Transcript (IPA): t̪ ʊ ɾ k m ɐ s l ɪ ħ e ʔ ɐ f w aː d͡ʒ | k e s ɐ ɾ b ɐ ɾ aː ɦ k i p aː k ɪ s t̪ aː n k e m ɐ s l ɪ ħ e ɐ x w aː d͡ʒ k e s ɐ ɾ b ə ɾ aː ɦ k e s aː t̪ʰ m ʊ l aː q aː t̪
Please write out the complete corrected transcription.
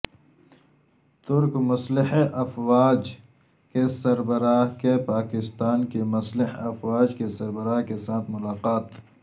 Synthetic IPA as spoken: t̪ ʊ ɾ k m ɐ s l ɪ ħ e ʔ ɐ f w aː d͡ʒ | k e s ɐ ɾ b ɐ ɾ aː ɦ k e p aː k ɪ s t̪ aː n k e m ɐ s l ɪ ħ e ɐ f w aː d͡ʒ k e s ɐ ɾ b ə ɾ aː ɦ k e s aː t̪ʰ m ʊ l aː q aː t̪